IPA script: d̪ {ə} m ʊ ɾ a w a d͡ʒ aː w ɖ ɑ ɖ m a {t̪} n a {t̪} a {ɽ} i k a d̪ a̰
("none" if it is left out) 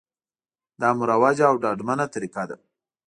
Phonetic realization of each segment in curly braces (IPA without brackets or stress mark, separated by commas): ɑ, none, t̪, ɾ